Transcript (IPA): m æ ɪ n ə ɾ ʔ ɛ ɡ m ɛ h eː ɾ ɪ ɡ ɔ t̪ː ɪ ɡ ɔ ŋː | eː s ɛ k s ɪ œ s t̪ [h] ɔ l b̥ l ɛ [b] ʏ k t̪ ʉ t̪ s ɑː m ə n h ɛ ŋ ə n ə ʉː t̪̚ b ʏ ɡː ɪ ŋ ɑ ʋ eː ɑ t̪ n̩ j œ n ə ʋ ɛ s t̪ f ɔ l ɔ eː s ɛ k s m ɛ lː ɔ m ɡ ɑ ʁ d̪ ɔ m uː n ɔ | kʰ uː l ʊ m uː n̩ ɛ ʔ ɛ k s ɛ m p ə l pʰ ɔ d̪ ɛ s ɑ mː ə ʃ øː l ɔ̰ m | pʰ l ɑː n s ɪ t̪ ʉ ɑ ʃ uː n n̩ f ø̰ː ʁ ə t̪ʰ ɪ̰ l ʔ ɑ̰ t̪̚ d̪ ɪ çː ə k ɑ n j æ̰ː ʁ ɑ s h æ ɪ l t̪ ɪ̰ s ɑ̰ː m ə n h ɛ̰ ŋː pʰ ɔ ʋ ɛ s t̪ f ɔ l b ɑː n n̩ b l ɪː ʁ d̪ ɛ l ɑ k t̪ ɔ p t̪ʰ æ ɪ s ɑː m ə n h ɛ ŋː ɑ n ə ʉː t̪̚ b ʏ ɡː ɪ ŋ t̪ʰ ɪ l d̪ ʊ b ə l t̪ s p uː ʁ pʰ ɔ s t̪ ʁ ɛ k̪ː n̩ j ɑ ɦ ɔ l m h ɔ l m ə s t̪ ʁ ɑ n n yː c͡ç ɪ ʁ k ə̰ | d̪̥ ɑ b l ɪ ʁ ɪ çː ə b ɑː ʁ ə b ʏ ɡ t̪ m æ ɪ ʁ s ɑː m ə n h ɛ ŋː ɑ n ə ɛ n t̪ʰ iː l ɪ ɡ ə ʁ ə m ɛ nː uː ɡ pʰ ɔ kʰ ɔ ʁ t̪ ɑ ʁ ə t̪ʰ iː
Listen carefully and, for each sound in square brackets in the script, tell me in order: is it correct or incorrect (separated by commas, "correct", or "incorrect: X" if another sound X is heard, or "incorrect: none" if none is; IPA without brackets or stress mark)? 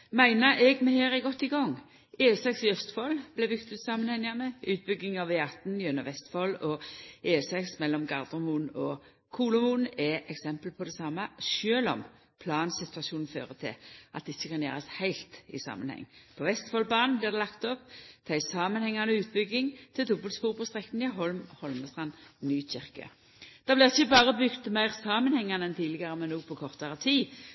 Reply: incorrect: f, correct